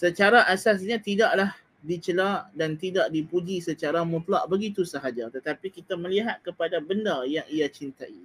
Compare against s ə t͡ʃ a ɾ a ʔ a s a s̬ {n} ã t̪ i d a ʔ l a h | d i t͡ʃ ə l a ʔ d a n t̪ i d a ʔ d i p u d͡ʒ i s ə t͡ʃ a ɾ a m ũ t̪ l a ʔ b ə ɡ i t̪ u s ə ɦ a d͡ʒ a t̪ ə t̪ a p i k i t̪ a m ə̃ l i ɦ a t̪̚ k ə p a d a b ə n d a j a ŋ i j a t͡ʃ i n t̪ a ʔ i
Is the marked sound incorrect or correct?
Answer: incorrect